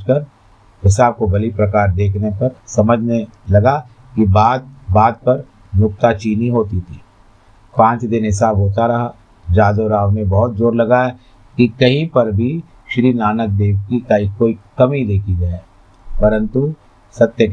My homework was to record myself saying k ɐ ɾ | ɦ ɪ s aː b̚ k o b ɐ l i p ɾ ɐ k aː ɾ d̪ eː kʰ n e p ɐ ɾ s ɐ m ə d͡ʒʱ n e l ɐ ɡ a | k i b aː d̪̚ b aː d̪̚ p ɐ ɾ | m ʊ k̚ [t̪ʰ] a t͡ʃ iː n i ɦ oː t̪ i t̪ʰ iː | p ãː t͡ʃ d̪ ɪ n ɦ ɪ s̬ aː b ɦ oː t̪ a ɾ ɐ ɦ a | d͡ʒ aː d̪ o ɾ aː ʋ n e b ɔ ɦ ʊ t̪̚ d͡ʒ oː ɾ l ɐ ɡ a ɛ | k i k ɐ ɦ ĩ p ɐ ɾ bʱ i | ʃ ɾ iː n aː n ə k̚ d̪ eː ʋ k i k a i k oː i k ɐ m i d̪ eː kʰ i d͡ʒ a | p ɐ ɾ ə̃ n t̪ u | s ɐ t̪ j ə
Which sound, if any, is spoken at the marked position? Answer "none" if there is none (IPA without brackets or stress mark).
t̪